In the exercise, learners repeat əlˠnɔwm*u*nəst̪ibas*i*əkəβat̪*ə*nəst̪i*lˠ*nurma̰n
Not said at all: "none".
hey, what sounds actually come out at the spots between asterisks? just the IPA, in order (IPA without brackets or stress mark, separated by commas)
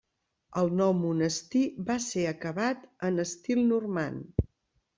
u, e, ə, lˠ